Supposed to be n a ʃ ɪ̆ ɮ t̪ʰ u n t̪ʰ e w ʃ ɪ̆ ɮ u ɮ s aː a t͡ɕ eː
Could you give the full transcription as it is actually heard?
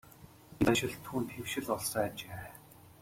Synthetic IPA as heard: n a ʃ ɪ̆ ɮ t̪ʰ uː n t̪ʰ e w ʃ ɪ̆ ɮ ɔ ɮ s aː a t͡ɕ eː